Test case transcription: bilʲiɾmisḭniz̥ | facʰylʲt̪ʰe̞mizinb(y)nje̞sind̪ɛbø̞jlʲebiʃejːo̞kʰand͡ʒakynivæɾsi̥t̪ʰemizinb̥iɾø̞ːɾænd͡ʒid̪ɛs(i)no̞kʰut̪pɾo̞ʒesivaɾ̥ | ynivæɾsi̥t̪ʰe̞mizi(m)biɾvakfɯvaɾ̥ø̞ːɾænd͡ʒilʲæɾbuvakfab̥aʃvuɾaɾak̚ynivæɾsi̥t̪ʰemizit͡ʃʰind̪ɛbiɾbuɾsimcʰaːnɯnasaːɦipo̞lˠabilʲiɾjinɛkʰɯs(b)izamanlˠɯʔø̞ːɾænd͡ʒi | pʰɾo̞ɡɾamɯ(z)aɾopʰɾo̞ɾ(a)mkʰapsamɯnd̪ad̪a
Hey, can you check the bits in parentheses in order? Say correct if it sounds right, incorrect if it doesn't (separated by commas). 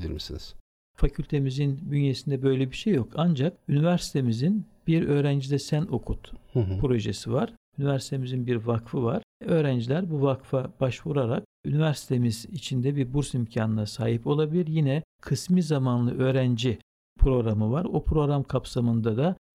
correct, incorrect, incorrect, incorrect, incorrect, correct